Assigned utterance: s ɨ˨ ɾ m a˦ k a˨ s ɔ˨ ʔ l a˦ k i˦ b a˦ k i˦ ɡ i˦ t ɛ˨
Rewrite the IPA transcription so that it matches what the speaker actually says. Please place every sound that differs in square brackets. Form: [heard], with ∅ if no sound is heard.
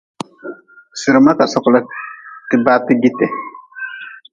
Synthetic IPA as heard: s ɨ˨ ɾ m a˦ k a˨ s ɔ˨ [k] l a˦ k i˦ b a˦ [t] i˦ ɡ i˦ t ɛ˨